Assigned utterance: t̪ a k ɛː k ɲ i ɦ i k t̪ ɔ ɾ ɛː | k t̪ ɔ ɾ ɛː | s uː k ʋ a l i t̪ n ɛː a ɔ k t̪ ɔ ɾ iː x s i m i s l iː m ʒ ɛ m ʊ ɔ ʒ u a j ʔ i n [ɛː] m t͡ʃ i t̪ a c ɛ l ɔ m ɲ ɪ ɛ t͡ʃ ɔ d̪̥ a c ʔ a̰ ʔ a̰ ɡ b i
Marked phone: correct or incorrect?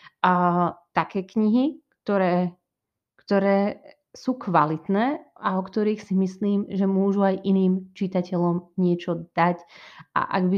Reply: incorrect